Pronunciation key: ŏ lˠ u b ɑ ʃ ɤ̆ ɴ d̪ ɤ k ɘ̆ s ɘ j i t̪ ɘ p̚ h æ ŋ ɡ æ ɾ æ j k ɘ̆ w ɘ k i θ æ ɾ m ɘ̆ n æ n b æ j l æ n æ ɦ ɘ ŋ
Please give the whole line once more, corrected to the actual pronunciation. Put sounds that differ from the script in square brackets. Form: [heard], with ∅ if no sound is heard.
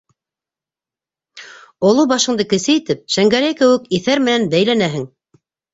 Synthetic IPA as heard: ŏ lˠ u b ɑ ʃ ɤ̆ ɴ d̪ ɤ k ɘ̆ s ɘ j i t̪ ɘ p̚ [ʃ] æ ŋ ɡ æ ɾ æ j k ɘ̆ w ɘ k i θ æ ɾ m ɘ̆ n æ n b æ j l æ n æ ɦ ɘ ŋ